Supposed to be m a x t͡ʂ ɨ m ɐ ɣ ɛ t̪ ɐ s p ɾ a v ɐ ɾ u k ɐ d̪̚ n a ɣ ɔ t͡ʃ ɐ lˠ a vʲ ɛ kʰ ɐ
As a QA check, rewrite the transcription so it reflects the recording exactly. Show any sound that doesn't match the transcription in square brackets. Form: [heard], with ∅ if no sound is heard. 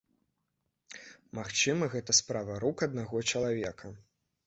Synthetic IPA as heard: m a x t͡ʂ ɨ m ɐ ɣ ɛ t̪ ɐ s p ɾ a v ɐ ɾ u k ɐ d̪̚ n a ɣ ɔ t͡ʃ ɐ lˠ a vʲ ɛ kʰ ɐ